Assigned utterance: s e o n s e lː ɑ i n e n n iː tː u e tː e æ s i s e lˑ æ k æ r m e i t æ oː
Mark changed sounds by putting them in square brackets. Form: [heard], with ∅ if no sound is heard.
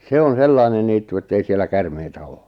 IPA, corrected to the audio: s e o n s e lː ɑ i n e n n iː tː u e tː e [i] s i [∅] e lˑ æ k æ r m e i t æ oː